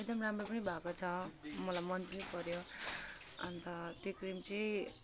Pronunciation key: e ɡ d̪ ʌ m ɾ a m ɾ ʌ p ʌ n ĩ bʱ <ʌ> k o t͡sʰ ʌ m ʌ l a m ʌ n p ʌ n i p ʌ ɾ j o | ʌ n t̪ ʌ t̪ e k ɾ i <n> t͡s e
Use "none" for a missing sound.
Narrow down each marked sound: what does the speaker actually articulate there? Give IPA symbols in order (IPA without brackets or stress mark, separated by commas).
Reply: a, m